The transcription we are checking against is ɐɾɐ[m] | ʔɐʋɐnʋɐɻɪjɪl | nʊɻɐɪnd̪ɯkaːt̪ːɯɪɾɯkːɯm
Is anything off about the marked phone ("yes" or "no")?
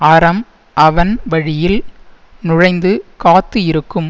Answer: no